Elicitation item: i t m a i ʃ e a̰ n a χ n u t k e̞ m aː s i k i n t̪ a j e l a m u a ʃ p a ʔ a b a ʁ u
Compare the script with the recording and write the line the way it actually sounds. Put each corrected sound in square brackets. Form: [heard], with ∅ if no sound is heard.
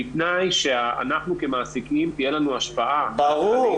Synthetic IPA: i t [n] a [j] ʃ e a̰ n a χ n u [∅] k e̞ m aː s i k i [m] t̪ [i] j e l a [n] u a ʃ p a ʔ a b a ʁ u